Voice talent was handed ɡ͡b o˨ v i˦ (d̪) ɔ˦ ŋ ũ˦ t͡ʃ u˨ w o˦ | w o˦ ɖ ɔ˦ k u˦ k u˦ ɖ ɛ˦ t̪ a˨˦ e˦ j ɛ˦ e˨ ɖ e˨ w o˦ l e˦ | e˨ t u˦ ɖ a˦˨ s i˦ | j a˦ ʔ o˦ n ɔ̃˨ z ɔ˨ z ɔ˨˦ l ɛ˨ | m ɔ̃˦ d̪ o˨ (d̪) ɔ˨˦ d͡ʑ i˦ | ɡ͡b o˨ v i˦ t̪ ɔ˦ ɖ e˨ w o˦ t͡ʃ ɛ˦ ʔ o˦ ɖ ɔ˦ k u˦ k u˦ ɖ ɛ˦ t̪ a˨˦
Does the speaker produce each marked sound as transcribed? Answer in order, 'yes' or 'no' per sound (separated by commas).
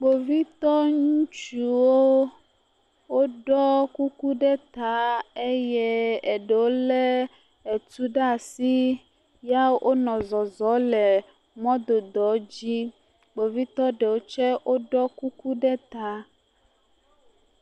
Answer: no, yes